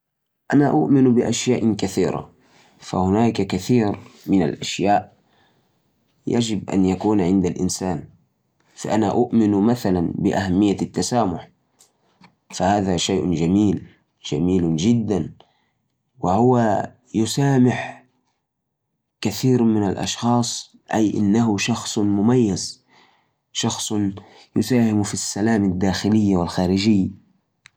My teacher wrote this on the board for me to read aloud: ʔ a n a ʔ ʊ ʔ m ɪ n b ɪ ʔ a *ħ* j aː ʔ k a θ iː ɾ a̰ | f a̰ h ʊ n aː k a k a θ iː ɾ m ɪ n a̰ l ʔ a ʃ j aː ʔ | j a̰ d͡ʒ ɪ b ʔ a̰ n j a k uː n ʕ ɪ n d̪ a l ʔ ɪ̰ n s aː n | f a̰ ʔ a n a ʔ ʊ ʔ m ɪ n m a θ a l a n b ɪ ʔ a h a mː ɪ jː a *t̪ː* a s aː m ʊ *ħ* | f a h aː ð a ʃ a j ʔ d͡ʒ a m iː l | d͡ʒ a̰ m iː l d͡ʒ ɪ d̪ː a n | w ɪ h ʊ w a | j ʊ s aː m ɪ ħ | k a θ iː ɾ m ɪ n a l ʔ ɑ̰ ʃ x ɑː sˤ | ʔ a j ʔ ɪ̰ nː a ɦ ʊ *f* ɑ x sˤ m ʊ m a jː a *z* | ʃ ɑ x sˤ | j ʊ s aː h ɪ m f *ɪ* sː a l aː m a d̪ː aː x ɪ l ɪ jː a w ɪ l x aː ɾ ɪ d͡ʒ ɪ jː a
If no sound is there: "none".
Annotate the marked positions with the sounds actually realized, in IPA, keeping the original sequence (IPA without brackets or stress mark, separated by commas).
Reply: ʃ, t̪ː, ħ, ʃ, z, i